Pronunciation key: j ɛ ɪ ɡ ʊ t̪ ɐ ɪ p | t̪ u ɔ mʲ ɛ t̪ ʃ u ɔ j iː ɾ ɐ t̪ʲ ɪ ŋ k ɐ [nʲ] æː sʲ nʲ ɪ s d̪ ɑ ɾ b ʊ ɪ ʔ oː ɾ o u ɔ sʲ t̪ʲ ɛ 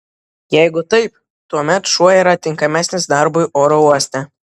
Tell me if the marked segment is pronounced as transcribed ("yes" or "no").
no